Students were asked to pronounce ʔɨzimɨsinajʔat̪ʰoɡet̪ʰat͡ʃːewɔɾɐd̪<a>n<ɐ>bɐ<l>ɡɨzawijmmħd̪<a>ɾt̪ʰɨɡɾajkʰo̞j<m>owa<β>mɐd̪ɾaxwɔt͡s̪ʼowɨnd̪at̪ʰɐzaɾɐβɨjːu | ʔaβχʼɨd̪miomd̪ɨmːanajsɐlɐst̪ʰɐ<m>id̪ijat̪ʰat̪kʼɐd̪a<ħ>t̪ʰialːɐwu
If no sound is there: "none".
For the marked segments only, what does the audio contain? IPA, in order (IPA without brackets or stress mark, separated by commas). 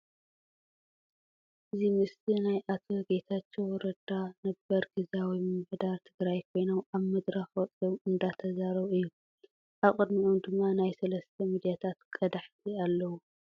a, ɐ, ɾ, a, n, β, m, ħ